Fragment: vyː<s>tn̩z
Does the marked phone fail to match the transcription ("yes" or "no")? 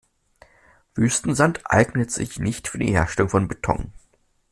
no